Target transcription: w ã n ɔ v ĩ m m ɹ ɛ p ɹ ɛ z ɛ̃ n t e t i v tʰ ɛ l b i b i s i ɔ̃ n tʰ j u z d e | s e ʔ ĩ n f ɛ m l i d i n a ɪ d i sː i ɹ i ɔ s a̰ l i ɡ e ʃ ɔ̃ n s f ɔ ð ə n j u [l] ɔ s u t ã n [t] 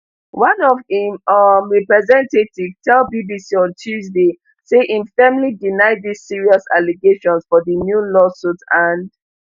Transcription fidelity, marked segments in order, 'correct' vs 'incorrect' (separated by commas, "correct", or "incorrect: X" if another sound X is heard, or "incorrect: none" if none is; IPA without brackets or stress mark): correct, incorrect: d